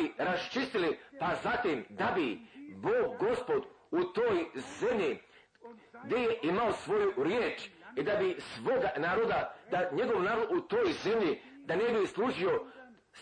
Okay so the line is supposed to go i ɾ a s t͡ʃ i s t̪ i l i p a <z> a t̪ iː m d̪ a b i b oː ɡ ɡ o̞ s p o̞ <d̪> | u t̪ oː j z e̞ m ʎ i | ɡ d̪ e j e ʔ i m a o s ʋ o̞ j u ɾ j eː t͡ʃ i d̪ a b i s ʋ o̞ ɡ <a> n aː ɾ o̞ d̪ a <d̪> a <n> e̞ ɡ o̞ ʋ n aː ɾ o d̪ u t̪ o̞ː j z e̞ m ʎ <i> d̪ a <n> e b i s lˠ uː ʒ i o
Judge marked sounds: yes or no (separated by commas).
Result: yes, yes, yes, yes, no, yes, yes